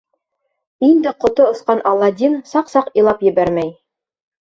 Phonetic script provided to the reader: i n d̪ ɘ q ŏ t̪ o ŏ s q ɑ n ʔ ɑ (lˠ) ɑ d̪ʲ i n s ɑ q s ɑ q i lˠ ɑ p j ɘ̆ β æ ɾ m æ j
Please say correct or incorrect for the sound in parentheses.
incorrect